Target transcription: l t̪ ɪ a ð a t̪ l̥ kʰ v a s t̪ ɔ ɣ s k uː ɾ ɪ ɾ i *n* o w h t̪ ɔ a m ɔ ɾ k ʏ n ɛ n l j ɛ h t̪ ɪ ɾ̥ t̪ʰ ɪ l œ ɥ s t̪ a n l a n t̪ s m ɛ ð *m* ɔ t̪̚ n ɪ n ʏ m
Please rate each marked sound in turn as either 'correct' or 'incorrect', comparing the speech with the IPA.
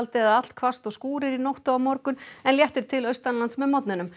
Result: correct, correct

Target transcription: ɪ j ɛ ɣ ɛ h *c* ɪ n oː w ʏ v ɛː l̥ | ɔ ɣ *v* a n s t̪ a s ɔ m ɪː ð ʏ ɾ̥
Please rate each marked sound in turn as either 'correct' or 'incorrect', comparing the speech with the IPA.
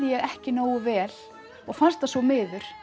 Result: correct, incorrect

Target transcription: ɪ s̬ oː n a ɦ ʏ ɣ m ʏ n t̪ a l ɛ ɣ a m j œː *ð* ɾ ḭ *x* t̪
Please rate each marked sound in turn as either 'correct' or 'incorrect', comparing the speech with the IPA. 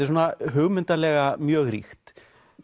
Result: incorrect, correct

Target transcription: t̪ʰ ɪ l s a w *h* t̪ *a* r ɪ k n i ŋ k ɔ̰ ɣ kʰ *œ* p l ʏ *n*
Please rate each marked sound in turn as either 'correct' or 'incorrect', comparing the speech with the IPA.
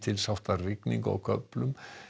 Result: correct, correct, correct, incorrect

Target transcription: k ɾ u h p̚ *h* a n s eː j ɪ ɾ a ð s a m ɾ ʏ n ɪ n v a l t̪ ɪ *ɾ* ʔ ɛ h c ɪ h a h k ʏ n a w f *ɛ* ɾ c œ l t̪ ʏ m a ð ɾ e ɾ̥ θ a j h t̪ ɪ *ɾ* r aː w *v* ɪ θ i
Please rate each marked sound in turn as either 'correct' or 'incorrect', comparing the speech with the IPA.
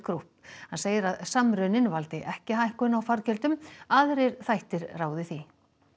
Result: correct, incorrect, incorrect, correct, incorrect

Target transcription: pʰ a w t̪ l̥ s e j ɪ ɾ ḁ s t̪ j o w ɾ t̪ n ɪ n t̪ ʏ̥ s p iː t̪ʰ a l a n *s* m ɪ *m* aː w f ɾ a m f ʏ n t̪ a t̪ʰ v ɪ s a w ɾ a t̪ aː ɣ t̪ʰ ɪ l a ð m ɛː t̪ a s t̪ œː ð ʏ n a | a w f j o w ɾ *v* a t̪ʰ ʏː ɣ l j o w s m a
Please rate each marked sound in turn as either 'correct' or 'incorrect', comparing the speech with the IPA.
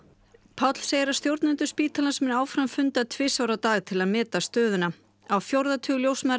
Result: correct, incorrect, incorrect

